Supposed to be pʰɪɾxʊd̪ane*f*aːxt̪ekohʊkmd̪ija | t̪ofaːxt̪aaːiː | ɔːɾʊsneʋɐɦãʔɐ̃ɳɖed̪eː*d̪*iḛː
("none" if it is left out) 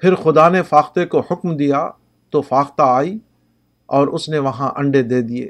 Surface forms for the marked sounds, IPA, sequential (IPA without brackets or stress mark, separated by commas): f, d̪